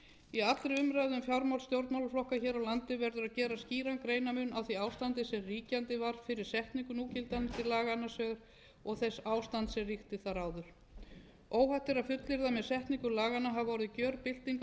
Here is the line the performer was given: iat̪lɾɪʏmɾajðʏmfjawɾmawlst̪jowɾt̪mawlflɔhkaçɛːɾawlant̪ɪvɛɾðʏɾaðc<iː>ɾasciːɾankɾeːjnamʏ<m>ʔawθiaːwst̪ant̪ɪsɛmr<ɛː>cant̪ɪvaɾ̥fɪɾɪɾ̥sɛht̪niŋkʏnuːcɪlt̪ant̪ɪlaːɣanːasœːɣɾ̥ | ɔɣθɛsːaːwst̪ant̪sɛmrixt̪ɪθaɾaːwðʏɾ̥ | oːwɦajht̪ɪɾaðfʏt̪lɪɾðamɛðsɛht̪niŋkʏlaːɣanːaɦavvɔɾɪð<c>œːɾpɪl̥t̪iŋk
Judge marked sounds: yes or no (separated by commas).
no, no, no, yes